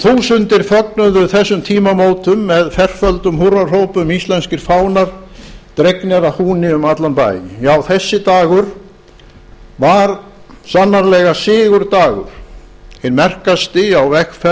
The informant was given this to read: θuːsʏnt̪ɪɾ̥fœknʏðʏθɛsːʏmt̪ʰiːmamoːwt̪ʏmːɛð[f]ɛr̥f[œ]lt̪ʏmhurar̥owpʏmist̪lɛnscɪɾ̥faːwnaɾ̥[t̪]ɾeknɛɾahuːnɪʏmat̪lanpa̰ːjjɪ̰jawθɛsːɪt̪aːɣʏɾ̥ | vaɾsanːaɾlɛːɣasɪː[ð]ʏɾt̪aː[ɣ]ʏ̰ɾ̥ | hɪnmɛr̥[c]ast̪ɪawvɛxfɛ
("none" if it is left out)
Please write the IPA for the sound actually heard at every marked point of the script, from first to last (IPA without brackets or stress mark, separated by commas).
f, œ, t̪, ɣ, ɣ, k